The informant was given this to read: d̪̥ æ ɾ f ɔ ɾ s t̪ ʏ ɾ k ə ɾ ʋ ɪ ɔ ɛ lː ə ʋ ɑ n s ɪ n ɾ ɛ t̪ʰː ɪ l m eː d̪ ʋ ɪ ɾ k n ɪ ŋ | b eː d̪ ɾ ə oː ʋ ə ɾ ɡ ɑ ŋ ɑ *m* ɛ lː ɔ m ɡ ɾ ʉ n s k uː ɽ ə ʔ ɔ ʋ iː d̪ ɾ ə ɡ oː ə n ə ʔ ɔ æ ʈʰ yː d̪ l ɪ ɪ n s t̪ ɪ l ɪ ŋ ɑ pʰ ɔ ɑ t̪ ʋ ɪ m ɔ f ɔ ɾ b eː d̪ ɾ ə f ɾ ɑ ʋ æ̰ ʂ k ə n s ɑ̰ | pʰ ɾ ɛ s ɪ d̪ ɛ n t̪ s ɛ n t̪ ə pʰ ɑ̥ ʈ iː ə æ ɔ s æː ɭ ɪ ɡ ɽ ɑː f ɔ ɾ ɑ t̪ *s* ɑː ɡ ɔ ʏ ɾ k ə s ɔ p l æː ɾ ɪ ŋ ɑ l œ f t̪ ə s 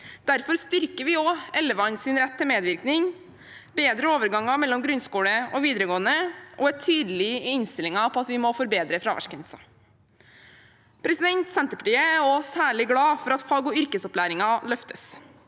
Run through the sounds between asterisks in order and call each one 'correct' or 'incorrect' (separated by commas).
correct, incorrect